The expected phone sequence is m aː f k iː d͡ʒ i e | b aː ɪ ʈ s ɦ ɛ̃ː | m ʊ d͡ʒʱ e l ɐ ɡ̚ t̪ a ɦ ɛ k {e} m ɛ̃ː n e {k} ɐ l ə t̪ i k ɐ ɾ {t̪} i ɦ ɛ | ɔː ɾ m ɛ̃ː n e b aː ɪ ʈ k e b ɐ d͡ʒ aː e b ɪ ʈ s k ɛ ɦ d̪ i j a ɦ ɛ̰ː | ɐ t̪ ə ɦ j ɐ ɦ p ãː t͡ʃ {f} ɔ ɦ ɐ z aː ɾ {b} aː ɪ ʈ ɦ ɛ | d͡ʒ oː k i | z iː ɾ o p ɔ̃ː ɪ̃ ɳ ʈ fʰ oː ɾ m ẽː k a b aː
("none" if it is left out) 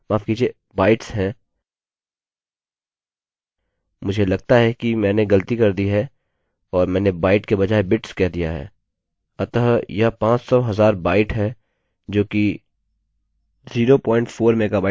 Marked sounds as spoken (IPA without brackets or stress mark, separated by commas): i, ɡ, d̪, s, b